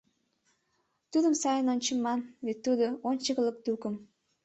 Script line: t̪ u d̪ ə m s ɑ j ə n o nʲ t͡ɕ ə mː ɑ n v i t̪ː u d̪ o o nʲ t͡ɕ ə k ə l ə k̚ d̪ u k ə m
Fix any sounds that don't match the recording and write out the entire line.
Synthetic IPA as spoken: t̪ u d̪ ə m s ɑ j ə n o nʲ t͡ɕ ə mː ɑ n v e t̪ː u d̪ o o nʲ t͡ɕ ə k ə l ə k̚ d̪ u k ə m

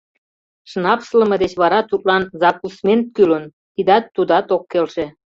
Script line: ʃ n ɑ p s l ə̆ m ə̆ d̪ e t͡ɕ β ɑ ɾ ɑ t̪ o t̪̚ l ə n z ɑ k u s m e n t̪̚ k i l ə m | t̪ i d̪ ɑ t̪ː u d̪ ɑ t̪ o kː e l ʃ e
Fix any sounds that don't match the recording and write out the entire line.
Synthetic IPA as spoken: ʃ n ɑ p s l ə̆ m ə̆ d̪ e t͡ɕ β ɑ ɾ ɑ t̪ u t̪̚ l ɑ n z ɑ k u s m e n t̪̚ k y l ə n | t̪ i d̪ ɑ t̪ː u d̪ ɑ t̪ o kː e l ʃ e

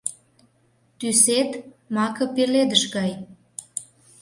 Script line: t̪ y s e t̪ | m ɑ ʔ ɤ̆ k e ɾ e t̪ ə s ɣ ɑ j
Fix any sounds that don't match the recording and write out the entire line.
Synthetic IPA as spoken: t̪ y s e t̪ | m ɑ k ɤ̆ p e l e d̪ ə ʃ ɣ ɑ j

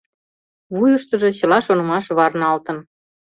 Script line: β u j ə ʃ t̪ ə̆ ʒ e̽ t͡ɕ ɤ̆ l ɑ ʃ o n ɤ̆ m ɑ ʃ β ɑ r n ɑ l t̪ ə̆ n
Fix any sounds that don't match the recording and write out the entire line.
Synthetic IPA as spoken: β u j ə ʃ t̪ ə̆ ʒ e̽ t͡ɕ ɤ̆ l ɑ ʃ o n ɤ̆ m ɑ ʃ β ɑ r n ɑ l t̪ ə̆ n

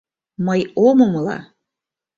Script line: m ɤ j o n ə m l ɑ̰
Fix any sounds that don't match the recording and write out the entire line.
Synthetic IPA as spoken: m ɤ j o m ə m l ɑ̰

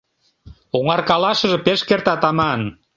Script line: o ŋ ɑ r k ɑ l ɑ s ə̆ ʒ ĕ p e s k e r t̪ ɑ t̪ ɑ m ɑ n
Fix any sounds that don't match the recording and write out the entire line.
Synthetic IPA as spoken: o ŋ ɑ r k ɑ l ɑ ʃ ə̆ ʒ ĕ p e ʃ k e r t̪ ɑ t̪ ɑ m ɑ n

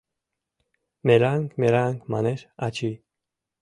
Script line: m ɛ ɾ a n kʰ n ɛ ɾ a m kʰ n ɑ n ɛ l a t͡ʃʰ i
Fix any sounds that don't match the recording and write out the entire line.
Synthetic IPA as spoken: m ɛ ɾ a ŋ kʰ m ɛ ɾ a ŋ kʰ m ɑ n ɛ ɾ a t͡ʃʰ i

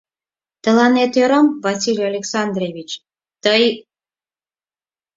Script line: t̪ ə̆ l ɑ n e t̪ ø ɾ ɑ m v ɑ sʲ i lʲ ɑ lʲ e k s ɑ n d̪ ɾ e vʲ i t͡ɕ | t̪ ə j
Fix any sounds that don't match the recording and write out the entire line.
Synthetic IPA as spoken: t̪ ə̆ l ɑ n e t̪ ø ɾ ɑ m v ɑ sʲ i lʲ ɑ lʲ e k s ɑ n d̪ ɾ e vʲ i t͡ɕ | t̪ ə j

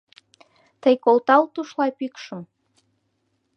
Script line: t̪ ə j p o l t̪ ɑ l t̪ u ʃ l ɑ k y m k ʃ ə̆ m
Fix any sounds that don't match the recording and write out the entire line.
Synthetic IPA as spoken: t̪ ə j k o l t̪ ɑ l t̪ u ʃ l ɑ p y k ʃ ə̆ m

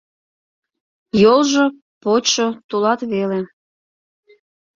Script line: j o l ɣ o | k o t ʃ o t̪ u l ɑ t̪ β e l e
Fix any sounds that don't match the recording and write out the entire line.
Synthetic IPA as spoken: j o l ʒ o | p o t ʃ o t̪ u l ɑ t̪ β e l e

